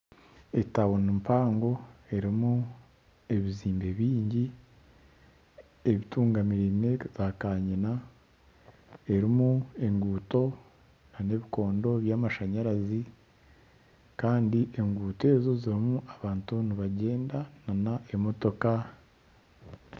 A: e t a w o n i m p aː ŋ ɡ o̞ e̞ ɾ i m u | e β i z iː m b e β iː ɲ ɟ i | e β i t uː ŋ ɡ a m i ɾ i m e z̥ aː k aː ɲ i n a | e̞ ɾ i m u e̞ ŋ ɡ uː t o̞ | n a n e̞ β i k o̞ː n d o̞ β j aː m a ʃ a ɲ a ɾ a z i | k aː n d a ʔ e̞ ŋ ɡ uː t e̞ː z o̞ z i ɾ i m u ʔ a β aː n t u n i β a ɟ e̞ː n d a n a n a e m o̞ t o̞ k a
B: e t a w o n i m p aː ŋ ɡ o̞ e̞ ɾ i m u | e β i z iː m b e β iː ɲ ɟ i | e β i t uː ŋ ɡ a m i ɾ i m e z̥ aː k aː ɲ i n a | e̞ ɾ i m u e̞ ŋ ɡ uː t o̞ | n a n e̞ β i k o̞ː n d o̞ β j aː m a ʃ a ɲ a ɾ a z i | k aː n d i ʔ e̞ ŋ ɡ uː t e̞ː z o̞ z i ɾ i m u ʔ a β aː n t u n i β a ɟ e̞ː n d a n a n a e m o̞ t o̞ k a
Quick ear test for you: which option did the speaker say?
B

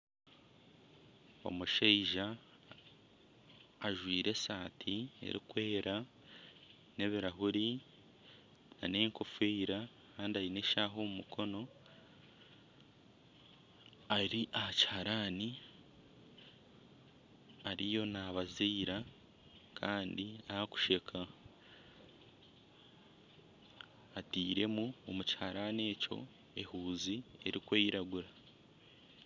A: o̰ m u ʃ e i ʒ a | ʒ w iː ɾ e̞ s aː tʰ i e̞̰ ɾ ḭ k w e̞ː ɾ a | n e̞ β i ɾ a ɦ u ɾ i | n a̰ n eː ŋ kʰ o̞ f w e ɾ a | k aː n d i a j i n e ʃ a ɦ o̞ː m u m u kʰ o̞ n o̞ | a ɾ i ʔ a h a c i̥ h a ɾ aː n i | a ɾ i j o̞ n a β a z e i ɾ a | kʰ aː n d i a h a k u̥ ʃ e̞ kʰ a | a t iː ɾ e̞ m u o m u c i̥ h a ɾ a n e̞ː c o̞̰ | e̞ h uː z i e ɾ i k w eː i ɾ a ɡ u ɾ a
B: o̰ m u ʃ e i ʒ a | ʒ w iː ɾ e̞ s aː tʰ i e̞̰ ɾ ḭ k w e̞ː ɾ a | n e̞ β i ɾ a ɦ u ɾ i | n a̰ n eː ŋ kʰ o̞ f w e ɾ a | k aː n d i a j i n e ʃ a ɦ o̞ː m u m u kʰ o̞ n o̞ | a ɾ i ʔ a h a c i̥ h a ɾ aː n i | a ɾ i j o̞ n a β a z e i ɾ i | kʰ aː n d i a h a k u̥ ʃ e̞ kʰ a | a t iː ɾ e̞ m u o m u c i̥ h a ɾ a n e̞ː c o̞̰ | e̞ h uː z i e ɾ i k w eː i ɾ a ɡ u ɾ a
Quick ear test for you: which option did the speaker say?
A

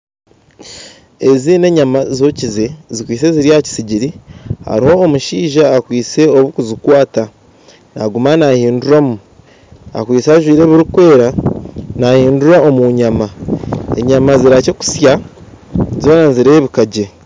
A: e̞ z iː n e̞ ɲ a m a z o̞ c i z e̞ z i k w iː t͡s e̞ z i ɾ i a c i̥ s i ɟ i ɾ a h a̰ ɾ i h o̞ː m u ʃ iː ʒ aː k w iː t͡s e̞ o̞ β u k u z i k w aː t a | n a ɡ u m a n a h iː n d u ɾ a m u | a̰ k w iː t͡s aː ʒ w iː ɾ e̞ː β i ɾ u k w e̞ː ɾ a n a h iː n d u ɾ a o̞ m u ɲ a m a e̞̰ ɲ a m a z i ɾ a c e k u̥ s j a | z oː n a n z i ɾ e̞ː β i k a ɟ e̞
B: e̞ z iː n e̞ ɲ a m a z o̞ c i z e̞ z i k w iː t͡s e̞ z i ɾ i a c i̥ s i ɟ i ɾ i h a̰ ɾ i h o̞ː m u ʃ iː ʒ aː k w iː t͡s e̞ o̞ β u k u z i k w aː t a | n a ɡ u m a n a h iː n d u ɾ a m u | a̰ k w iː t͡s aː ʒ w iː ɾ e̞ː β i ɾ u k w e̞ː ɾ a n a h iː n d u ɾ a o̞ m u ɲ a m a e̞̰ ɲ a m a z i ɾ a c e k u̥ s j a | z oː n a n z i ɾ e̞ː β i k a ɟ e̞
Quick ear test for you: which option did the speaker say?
B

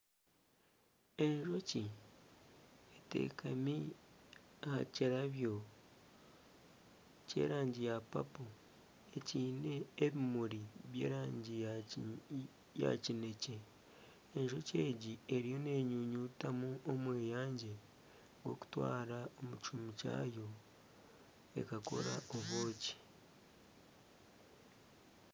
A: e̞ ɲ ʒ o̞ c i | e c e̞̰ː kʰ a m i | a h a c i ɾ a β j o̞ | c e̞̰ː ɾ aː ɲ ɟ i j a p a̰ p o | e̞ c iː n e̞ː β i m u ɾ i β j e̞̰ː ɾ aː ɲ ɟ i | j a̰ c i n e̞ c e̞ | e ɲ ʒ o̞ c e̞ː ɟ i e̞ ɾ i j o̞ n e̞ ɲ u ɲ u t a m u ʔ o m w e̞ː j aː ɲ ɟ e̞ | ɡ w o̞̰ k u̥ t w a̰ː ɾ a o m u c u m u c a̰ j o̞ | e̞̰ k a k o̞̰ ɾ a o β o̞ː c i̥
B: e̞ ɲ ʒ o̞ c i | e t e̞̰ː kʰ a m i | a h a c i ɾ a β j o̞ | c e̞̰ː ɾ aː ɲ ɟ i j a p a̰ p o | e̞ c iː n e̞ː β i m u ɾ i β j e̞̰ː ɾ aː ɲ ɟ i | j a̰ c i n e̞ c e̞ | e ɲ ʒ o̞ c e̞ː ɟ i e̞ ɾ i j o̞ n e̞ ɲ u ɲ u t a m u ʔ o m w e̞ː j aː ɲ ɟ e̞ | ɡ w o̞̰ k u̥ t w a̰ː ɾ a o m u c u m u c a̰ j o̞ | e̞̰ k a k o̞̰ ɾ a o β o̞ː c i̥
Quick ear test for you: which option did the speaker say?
B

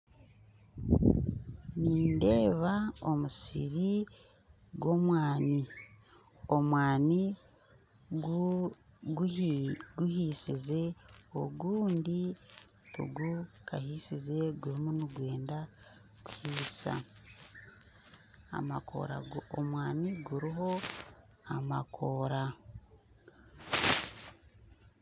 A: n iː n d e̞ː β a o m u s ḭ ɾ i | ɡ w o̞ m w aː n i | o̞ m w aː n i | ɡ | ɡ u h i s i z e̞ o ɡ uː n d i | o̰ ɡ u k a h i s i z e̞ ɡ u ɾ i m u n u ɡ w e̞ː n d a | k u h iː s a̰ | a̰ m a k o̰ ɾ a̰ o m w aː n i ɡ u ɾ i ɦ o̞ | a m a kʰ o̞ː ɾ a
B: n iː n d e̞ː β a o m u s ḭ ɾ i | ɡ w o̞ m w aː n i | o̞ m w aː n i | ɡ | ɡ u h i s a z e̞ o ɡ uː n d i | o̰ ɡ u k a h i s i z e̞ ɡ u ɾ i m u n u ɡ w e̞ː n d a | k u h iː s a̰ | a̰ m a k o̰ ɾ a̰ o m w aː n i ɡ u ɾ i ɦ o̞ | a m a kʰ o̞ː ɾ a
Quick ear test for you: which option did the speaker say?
A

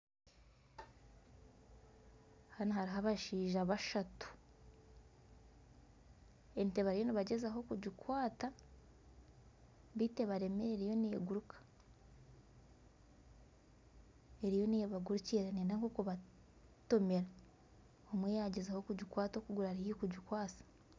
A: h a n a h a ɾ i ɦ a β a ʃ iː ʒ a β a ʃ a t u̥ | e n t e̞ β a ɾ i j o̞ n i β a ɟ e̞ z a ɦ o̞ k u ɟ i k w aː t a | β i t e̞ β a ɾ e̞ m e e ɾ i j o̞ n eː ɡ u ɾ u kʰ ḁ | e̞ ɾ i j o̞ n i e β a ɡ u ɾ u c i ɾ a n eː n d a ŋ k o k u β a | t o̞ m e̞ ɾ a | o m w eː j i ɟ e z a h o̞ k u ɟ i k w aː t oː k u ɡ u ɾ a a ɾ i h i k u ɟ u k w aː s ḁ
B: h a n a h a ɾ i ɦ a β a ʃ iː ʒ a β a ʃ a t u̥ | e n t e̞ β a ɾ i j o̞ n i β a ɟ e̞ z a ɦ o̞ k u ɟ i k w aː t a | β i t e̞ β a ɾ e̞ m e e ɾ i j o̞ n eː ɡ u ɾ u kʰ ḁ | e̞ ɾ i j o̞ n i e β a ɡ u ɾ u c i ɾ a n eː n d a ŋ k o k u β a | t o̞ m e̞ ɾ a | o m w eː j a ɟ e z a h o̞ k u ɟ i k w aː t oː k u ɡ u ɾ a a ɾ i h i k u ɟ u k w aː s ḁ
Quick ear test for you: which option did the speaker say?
B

